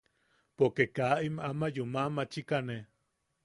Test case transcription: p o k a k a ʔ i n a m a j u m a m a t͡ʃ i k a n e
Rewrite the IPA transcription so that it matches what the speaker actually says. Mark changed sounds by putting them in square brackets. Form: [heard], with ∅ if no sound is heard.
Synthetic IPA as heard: p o k [e] k a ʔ i [m] a m a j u m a m a t͡ʃ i k a n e